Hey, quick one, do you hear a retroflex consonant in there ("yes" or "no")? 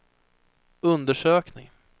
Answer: yes